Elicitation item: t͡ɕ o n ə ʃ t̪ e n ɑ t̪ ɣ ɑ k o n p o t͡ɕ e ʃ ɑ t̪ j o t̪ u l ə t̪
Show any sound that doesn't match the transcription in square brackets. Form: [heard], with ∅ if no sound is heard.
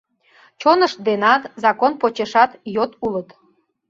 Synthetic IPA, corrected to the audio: t͡ɕ o n ə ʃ [d̪] e n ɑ t̪ [z] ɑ k o n p o t͡ɕ e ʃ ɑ t̪ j o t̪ u l ə t̪